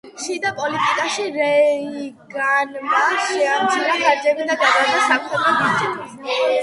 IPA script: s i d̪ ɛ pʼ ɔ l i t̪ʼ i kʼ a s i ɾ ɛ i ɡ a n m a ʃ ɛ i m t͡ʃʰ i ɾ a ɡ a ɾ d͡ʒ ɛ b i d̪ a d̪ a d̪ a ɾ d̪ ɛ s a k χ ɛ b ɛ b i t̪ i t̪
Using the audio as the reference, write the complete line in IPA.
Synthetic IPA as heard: ʃ i d̪ a pʼ ɔ l i t̪ʼ i kʼ a ʃ i ɾ ɛ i ɡ a n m a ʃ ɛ a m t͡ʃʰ i ɾ a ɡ a ɾ d͡ʒ ɛ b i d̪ a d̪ a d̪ a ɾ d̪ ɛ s a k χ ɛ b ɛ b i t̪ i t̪

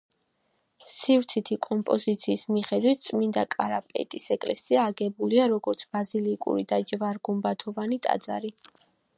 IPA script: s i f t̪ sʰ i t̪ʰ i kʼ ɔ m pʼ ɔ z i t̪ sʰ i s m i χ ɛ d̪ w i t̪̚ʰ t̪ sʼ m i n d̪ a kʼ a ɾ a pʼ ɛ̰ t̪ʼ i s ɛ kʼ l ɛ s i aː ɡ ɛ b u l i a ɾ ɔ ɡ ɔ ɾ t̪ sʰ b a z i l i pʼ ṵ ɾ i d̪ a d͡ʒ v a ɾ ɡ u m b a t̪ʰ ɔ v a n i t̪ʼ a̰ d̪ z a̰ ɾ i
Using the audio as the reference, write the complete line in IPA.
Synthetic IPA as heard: s i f t̪ sʰ i t̪ʰ i kʼ ɔ m pʼ ɔ z i t̪ sʰ iː s m i χ ɛ d̪ w i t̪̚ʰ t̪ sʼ m i n d̪ a kʼ a ɾ a pʼ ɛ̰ t̪ʼ i s ɛ kʼ l ɛ s i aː ɡ ɛ b u l i a ɾ ɔ ɡ ɔ ɾ t̪ sʰ b a z i l i kʼ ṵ ɾ i d̪ a d͡ʒ v a ɾ ɡ u m b a t̪ʰ ɔ v a n i t̪ʼ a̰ d̪ z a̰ ɾ i

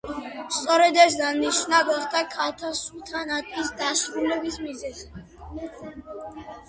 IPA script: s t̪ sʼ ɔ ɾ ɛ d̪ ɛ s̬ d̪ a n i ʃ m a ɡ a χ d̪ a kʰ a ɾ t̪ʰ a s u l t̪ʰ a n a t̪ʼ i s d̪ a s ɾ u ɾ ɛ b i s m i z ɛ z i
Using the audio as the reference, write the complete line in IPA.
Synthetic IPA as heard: s t̪ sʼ ɔ ɾ ɛ d̪ ɛ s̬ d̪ a n i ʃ n a ɡ a χ d̪ a kʰ a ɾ t̪ʰ a s u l t̪ʰ a n a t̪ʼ i s d̪ a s ɾ u l ɛ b i s m i z ɛ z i

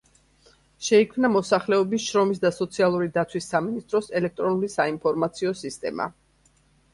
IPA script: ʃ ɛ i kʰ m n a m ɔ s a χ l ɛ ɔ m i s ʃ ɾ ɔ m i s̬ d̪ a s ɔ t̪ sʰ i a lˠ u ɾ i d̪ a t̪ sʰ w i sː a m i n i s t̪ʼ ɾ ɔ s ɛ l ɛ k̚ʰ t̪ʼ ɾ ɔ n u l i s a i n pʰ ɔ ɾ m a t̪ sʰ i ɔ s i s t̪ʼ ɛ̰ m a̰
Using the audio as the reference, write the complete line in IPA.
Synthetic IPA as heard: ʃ ɛ i kʰ m n a m ɔ s a χ l ɛ ɔ b i s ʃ ɾ ɔ m i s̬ d̪ a s ɔ t̪ sʰ i a lˠ u ɾ i d̪ a t̪ sʰ w i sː a m i n i s t̪ʼ ɾ ɔ s ɛ l ɛ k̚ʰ t̪ʼ ɾ ɔ n u l i s a i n pʰ ɔ ɾ m a t̪ sʰ i ɔ s i s t̪ʼ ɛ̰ m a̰

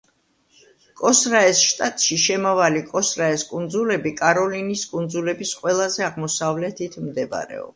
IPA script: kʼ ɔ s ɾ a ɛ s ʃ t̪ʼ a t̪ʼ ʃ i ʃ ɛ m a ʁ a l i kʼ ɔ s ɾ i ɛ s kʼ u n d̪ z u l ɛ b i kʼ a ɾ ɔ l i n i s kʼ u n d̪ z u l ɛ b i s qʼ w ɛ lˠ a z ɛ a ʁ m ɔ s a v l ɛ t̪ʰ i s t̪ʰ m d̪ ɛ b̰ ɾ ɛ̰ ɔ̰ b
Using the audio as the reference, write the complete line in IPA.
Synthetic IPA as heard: kʼ ɔ s ɾ a ɛ s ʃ t̪ʼ a t̪ʼ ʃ i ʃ ɛ m a v a l i kʼ ɔ s ɾ a ɛ s kʼ u n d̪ z u l ɛ b i kʼ a ɾ ɔ l i n i s kʼ u n d̪ z u l ɛ b i s qʼ w ɛ lˠ a z ɛ a ʁ m ɔ s a v l ɛ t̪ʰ i t̪ʰ m d̪ ɛ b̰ ɾ ɛ̰ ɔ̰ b

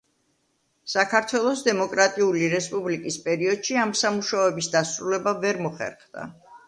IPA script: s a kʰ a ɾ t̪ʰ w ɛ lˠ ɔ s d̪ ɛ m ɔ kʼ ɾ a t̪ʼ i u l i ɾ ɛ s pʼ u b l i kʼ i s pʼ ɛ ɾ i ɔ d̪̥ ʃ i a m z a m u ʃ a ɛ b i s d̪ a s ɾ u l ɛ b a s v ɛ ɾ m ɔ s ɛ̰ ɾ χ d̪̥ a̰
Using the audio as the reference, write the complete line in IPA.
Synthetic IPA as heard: s a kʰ a ɾ t̪ʰ w ɛ lˠ ɔ s d̪ ɛ m ɔ kʼ ɾ a t̪ʼ i u l i ɾ ɛ s pʼ u b l i kʼ i s pʼ ɛ ɾ i ɔ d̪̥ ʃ i a m s a m u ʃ a ɛ b i s d̪ a s ɾ u l ɛ b a v ɛ ɾ m ɔ χ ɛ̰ ɾ χ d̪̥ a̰

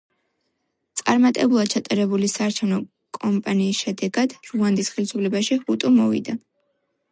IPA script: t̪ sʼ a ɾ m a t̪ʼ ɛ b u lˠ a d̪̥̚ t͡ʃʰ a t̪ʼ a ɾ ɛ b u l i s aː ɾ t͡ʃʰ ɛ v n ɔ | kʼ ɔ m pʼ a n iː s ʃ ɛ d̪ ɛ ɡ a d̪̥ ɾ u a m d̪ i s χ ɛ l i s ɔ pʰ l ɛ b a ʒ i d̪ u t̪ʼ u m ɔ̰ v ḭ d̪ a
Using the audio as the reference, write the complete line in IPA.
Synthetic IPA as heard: t̪ sʼ a ɾ m a t̪ʼ ɛ b u lˠ a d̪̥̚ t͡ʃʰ a t̪ʼ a ɾ ɛ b u l i s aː ɾ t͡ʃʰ ɛ v n ɔ | kʼ ɔ m pʼ a n iː s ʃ ɛ d̪ ɛ ɡ a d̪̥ ɾ u a n d̪ i s χ ɛ l i s u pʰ l ɛ b a ʃ i u t̪ʼ u m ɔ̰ v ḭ d̪ a

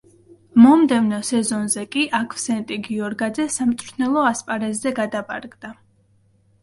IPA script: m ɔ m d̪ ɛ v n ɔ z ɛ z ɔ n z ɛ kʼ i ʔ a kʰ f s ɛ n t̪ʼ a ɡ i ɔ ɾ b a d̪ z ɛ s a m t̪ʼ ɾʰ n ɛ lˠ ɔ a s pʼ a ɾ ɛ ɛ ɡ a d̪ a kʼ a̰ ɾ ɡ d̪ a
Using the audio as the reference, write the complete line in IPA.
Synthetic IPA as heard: m ɔ m d̪ ɛ v n ɔ s ɛ z ɔ n z ɛ kʼ i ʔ a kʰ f s ɛ n t̪ʼ i ɡ i ɔ ɾ ɡ a d̪ z ɛ s a m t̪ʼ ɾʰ n ɛ lˠ ɔ a s pʼ a ɾ ɛ ɛ ɡ a d̪ a pʼ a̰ ɾ ɡ d̪ a

